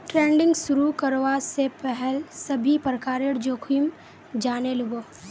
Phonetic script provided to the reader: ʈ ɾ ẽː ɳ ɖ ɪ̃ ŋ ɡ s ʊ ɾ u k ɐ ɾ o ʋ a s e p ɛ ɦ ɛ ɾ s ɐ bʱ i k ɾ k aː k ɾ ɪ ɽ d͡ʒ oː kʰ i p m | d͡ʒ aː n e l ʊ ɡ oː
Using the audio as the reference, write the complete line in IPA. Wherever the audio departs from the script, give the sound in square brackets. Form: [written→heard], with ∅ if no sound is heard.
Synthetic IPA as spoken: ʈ ɾ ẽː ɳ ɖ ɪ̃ ŋ ɡ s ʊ ɾ u k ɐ ɾ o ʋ a s e p ɛ ɦ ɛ [ɾ→l] s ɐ bʱ i [k→p] ɾ k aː [k→∅] ɾ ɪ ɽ d͡ʒ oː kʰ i [p→∅] m | d͡ʒ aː n e l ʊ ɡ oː